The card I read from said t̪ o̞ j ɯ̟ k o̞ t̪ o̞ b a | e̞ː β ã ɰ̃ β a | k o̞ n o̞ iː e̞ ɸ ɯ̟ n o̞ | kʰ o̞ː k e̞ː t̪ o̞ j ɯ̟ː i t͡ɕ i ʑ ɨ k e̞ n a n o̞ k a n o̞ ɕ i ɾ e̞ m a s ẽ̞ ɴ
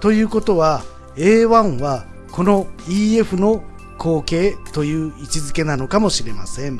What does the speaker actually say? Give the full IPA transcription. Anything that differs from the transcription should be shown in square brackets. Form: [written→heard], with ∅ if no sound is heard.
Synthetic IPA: t̪ o̞ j [ɯ̟→ɯ̟ː] k o̞ t̪ o̞ [b→β] a | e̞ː β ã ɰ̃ β a | k o̞ n o̞ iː e̞ ɸ ɯ̟ n o̞ | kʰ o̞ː k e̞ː t̪ o̞ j ɯ̟ː i t͡ɕ i [ʑ→z] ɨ k e̞ n a n o̞ k a [n→m] o̞ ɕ i ɾ e̞ m a s ẽ̞ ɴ